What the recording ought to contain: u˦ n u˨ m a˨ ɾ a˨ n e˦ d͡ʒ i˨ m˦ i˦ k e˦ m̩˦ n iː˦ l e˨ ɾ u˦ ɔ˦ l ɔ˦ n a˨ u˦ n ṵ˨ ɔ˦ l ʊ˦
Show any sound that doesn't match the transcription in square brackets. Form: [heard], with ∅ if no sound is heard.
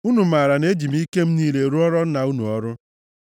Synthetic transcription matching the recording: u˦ n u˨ m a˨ ɾ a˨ n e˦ d͡ʒ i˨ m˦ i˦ k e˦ m̩˦ n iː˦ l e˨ ɾ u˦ ɔ˦ [ɾ] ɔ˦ n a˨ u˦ n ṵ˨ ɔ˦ [ɾ] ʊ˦